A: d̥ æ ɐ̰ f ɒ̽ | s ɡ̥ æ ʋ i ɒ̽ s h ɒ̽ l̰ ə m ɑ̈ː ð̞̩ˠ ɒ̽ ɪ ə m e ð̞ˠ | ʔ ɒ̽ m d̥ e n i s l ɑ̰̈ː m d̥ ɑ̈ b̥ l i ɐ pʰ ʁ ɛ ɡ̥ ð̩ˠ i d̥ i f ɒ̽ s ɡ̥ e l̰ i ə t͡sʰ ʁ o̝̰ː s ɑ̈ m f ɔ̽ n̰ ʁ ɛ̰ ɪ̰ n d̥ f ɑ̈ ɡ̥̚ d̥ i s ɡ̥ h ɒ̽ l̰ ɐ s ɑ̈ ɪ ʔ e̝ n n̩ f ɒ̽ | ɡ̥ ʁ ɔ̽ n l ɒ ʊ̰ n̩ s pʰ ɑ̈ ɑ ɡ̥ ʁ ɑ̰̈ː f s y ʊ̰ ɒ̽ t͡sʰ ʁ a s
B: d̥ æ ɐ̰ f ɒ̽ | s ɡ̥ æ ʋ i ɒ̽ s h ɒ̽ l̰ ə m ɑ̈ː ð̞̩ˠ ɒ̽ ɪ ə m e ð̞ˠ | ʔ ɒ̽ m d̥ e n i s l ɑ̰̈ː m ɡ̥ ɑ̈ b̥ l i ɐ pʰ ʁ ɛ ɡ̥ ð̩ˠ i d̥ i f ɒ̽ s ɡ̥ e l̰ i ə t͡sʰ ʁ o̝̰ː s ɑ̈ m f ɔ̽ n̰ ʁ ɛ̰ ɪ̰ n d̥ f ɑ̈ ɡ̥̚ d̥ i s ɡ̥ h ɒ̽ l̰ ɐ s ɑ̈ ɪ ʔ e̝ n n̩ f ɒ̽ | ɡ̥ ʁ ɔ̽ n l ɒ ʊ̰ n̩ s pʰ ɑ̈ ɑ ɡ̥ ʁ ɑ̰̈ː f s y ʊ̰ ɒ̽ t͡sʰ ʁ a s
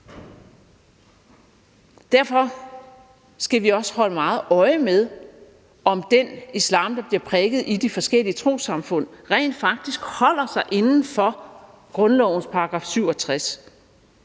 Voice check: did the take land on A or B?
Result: A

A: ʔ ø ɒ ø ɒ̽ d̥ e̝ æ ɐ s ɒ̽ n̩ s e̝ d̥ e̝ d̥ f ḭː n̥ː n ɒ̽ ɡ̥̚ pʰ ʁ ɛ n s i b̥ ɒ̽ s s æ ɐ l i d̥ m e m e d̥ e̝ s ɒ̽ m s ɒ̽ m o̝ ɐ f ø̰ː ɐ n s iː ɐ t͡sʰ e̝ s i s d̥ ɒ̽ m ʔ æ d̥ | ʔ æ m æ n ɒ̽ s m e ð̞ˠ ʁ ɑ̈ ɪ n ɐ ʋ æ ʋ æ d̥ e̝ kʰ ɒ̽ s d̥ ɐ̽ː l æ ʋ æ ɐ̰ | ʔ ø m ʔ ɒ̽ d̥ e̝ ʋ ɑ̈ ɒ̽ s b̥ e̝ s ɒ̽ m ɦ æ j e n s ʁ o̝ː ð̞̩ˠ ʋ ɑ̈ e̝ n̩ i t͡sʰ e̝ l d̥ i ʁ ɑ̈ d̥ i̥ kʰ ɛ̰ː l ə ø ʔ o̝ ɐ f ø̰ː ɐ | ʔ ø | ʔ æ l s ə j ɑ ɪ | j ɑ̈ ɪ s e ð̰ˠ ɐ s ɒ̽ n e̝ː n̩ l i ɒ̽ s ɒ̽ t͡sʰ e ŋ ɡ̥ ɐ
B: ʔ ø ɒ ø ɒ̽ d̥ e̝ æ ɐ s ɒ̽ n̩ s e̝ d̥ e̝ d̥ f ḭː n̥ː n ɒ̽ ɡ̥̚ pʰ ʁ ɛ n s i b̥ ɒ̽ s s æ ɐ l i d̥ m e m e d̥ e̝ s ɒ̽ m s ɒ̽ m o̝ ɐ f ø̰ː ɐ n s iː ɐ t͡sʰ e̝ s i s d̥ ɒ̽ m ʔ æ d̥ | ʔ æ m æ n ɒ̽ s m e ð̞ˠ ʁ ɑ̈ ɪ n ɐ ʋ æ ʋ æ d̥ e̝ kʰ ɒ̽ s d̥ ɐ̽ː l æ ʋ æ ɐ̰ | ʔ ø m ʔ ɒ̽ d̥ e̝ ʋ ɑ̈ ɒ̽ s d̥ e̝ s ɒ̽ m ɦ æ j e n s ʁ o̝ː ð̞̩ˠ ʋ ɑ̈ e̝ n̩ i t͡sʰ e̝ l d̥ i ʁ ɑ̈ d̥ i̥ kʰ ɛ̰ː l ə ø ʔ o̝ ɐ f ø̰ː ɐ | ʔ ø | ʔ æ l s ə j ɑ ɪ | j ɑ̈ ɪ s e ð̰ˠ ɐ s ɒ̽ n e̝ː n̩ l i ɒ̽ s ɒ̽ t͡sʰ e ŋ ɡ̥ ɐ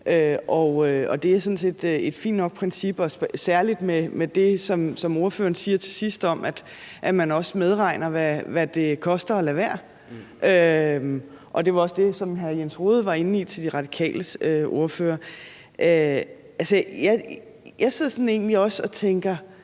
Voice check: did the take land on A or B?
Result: B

